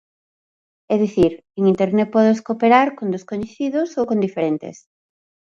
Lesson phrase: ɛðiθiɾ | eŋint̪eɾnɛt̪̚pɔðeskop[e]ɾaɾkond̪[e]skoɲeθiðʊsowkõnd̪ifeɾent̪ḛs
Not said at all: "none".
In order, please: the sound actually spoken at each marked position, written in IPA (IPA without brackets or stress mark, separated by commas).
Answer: e, e